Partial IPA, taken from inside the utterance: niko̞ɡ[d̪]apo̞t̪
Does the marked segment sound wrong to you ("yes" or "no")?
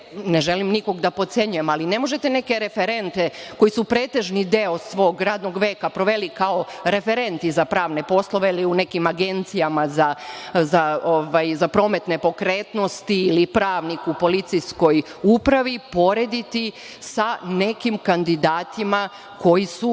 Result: no